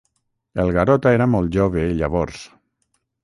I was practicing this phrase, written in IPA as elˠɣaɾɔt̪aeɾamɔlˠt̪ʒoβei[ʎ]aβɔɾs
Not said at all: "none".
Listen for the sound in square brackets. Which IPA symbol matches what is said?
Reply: ʎ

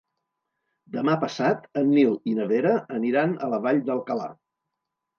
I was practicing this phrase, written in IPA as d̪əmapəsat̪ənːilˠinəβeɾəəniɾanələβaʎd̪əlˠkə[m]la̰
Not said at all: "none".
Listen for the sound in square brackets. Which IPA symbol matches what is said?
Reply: none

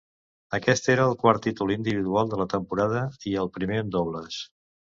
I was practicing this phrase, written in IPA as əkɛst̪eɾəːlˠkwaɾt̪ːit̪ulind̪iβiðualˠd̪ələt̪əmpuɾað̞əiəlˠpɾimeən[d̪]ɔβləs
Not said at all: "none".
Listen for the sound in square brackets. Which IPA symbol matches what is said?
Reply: d̪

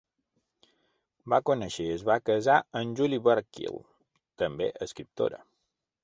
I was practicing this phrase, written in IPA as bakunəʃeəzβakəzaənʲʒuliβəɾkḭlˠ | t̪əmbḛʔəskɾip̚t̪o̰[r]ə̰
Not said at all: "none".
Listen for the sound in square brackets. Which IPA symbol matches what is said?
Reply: ɾ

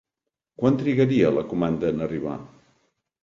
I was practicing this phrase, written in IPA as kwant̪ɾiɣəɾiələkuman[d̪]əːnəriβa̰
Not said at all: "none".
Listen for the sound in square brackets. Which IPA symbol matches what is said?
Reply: d̪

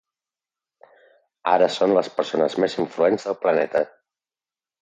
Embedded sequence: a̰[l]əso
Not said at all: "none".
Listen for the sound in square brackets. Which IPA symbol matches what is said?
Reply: ɾ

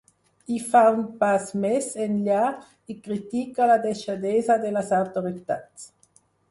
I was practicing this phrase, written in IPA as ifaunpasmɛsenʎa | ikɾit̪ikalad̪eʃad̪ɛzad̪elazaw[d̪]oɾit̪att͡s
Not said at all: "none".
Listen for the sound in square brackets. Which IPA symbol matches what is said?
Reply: t̪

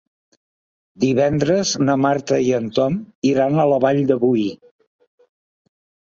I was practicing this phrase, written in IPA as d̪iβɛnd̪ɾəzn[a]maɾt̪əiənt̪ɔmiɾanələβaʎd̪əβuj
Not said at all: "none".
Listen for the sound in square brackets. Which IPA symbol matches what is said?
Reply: ə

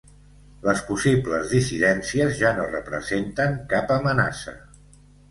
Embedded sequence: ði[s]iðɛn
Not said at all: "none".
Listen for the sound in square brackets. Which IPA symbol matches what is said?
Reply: s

